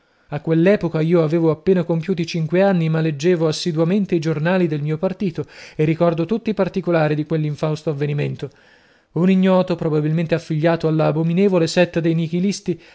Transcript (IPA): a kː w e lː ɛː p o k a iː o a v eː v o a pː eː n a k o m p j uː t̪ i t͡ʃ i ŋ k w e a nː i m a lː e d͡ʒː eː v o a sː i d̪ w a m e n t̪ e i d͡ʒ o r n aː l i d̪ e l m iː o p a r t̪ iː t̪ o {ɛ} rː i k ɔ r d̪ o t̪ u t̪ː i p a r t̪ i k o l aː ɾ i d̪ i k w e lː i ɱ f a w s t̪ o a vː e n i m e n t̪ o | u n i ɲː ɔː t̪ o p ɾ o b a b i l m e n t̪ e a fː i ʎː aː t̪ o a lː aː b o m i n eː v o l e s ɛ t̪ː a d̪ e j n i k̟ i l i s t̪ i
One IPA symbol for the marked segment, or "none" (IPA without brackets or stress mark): e